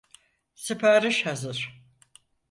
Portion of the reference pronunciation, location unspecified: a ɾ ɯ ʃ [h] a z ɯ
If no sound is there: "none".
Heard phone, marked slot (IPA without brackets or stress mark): h